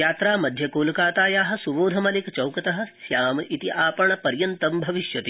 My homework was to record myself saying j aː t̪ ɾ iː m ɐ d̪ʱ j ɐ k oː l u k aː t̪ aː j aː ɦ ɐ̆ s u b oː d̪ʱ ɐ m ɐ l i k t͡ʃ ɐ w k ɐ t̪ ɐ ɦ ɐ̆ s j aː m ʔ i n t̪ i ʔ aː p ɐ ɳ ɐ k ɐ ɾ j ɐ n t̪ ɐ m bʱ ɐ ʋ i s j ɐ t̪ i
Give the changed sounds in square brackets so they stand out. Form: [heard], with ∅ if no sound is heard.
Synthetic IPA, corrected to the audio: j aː t̪ ɾ [aː] m ɐ d̪ʱ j ɐ k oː l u k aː t̪ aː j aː ɦ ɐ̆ s u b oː d̪ʱ ɐ m ɐ l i k t͡ʃ ɐ w k ɐ t̪ ɐ ɦ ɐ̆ s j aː m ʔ i [∅] t̪ i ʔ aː p ɐ ɳ ɐ [p] ɐ ɾ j ɐ n t̪ ɐ m bʱ ɐ ʋ i [ʃ] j ɐ t̪ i